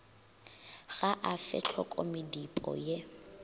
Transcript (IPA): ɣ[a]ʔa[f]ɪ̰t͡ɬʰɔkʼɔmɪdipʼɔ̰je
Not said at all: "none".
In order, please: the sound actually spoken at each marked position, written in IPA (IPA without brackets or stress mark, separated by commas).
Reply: a, f